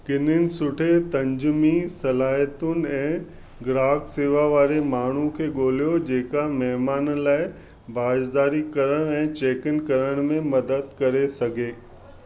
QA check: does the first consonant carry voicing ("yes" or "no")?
no